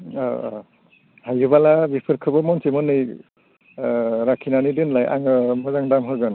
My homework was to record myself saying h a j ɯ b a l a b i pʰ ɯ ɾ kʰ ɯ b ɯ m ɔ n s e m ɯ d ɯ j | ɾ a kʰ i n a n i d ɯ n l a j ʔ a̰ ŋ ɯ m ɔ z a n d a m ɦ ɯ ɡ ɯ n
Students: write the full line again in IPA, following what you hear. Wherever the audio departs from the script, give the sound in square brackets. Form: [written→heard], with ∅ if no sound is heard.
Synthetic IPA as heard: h a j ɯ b a l a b i pʰ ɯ ɾ kʰ ɯ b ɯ m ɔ n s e m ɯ [d→n] ɯ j | ɾ a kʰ i n a n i d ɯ n l a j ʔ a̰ ŋ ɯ m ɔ z a [n→ŋ] d a m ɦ ɯ ɡ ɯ n